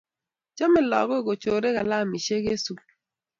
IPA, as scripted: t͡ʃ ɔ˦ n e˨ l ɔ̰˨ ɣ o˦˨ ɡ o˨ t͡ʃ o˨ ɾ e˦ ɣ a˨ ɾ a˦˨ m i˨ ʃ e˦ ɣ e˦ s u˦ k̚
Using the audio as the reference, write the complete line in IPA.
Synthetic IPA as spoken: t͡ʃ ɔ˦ m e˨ l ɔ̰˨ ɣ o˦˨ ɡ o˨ t͡ʃ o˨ ɾ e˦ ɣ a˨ l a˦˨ m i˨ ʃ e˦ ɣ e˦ s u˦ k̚